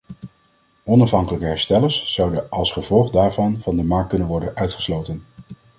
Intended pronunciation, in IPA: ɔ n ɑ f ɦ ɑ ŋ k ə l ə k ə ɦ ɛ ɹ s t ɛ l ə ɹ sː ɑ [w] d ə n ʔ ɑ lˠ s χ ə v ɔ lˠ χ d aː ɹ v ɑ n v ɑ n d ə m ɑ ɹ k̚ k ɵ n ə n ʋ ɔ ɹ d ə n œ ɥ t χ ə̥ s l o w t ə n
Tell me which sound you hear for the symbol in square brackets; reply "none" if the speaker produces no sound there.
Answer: w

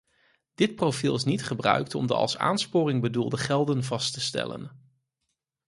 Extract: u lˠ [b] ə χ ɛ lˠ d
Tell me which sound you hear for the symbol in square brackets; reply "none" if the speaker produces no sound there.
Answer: d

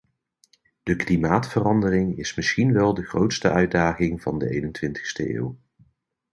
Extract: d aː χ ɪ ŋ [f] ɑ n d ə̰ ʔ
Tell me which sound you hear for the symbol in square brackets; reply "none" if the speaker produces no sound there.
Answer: v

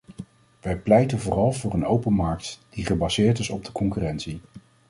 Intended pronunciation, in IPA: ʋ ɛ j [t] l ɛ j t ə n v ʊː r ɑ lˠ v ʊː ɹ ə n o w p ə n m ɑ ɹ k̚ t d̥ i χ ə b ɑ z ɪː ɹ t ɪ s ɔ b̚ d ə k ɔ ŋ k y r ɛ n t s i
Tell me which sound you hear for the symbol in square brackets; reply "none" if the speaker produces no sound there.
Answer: p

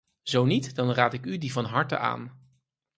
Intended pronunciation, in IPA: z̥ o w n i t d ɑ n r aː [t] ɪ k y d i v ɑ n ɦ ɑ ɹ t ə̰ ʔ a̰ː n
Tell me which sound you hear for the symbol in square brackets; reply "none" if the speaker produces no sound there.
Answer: t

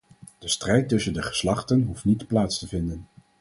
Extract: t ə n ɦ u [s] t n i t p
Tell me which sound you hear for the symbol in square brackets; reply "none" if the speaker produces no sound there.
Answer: f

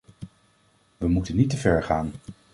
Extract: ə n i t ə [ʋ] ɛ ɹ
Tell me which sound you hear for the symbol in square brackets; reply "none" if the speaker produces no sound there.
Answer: v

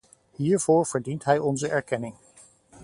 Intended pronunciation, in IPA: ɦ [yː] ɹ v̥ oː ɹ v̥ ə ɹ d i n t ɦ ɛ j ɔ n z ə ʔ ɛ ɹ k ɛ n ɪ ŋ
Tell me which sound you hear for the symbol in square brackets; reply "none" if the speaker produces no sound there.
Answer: iː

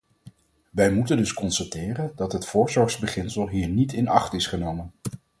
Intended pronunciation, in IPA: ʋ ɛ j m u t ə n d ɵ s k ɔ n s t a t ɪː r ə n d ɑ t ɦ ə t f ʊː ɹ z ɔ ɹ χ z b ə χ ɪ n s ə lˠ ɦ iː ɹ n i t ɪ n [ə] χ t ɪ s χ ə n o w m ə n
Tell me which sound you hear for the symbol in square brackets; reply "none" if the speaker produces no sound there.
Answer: ɑ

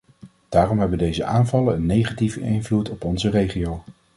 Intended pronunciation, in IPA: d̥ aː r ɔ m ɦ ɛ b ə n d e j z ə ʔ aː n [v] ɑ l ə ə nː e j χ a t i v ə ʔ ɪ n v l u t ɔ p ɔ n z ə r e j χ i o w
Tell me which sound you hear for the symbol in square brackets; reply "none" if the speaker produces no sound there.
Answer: v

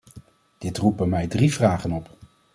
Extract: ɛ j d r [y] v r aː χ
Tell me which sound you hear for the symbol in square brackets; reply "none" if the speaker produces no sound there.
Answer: i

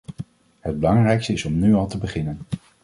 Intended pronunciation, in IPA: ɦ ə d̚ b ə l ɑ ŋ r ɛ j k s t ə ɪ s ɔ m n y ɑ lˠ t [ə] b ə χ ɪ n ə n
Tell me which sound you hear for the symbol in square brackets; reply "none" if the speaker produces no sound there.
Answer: ə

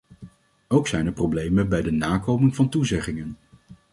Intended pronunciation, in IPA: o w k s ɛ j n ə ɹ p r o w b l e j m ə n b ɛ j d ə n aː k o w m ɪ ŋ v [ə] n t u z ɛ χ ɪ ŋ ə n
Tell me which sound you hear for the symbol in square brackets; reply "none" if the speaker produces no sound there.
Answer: ɑ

